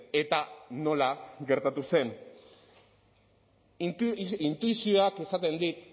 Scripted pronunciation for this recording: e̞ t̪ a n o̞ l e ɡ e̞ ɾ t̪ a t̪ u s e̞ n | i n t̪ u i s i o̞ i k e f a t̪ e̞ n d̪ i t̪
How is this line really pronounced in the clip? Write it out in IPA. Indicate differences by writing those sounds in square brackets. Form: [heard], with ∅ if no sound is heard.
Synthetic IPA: e̞ t̪ a n o̞ l [a] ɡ e̞ ɾ t̪ a t̪ u s e̞ n | i n t̪ u i s i o̞ [a] k e [s] a t̪ e̞ n d̪ i t̪